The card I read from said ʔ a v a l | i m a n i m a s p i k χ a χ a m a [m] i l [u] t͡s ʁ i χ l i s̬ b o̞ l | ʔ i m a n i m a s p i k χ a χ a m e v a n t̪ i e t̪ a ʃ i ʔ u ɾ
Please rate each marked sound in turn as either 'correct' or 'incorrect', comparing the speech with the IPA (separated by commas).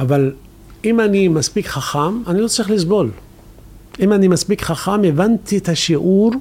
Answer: incorrect, incorrect